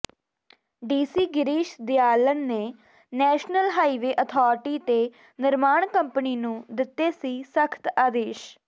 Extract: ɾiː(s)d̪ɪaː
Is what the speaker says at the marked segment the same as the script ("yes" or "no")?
no